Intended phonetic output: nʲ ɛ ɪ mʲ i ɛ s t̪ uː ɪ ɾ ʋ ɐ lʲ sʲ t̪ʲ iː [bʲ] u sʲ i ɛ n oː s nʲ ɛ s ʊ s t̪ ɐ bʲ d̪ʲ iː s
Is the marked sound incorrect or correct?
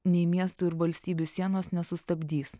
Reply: correct